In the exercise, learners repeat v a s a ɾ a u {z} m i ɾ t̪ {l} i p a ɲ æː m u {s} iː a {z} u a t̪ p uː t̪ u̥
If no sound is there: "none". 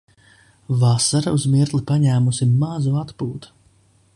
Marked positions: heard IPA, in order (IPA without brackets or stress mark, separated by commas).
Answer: z, l, s, z